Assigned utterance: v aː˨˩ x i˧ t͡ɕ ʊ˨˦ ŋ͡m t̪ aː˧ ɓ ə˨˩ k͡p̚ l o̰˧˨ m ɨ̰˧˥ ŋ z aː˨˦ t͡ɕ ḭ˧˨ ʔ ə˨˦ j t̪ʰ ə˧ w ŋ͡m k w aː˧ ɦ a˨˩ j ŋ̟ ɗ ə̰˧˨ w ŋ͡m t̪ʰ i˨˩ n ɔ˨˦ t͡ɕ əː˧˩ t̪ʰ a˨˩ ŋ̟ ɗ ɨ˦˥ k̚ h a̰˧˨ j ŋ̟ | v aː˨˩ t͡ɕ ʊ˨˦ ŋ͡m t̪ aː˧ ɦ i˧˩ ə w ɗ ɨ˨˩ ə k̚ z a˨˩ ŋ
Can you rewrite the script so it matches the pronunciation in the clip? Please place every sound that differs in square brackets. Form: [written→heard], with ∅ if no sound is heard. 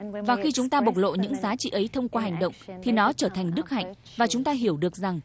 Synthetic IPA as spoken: v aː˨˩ x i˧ t͡ɕ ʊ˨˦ ŋ͡m t̪ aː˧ ɓ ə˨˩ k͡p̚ l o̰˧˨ [m→ɲ] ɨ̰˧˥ ŋ z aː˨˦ t͡ɕ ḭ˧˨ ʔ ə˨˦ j t̪ʰ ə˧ w ŋ͡m k w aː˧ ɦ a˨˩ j ŋ̟ ɗ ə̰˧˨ w ŋ͡m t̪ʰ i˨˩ n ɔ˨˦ t͡ɕ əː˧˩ t̪ʰ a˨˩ ŋ̟ ɗ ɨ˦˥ k̚ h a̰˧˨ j ŋ̟ | v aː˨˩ t͡ɕ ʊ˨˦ ŋ͡m t̪ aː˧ ɦ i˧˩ ə w ɗ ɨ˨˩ ə k̚ z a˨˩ ŋ